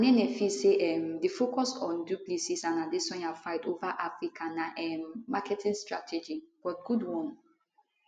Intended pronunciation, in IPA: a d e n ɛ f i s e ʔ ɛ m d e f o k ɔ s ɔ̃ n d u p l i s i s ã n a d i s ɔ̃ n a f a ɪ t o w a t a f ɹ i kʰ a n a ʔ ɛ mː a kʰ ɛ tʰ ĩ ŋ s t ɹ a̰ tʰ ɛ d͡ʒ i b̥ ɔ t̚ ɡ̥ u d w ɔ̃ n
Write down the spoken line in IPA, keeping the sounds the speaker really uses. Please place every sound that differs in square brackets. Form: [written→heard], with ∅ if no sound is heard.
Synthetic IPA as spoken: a [d→n] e n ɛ f i s e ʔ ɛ m d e f o k ɔ s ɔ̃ n d u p l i s i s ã n a d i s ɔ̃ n a f a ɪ t o [w→v] a [t→ʔ] a f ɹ i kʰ a n a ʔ ɛ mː a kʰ ɛ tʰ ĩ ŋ s t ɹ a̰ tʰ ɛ d͡ʒ i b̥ ɔ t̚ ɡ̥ u d w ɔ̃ n